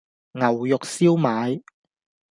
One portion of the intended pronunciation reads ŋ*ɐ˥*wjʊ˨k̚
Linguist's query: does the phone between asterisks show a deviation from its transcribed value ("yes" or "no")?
yes